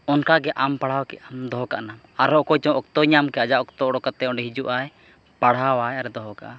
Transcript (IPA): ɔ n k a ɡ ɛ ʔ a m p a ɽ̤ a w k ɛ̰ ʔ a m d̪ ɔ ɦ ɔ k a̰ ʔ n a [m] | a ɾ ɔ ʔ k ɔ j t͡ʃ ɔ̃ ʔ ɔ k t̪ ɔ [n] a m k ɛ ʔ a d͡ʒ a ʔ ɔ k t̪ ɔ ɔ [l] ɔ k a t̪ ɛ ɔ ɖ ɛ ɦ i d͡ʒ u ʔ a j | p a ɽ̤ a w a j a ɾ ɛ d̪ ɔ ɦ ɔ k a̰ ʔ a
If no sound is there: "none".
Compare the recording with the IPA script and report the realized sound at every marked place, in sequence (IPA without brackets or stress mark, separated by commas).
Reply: m, ɲ, ɽ